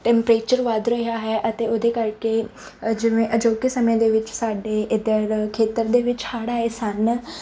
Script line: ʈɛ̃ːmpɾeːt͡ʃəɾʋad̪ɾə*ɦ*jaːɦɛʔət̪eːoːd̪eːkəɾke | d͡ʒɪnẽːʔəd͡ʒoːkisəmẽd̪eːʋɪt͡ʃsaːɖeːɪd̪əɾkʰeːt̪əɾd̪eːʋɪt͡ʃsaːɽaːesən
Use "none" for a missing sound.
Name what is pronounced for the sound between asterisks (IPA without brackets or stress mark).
ɦ